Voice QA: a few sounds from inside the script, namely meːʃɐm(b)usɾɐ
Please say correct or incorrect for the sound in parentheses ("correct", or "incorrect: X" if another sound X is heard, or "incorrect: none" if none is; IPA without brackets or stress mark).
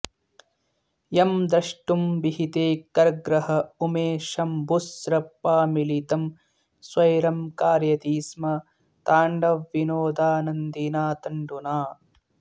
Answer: correct